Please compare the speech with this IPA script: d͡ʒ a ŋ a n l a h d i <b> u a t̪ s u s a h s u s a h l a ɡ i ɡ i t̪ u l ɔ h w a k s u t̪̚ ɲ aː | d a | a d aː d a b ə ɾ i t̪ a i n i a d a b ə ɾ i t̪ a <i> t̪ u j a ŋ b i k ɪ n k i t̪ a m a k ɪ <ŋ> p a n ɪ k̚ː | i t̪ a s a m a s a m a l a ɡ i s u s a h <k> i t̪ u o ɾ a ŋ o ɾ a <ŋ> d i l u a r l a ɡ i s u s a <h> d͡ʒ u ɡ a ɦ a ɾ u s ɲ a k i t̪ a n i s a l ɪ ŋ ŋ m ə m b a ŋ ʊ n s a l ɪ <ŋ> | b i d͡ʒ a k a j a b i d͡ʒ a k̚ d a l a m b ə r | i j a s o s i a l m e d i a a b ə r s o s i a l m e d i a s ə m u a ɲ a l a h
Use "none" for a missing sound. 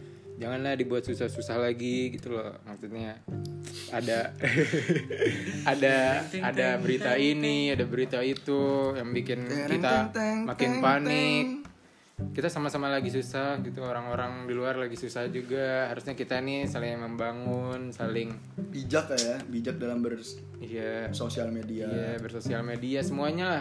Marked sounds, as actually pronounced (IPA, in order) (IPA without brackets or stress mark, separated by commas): b, i, n, ɡ, ŋ, h, ŋ